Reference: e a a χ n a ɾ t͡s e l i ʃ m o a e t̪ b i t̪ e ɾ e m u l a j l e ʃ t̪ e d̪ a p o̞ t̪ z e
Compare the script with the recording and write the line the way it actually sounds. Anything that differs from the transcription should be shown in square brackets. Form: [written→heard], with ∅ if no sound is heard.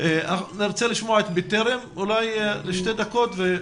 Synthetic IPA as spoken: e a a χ n [a→i] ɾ t͡s e l i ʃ m o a e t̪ b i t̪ e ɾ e m u l a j l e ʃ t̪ e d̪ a [p→k] o̞ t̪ [z→v] e